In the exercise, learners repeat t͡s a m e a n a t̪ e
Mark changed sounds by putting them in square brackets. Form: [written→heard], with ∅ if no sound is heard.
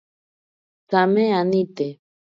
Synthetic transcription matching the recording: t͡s a m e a n [a→i] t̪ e